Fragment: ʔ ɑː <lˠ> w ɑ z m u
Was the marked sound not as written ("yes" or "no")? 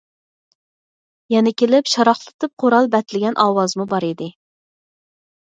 yes